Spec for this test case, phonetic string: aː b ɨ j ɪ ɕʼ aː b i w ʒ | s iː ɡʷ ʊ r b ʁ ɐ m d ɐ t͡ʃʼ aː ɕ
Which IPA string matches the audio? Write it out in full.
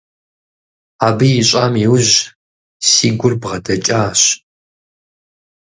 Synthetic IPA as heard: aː b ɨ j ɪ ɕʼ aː m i w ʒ | s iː ɡʷ ʊ r b ʁ ɐ d ɐ t͡ʃʼ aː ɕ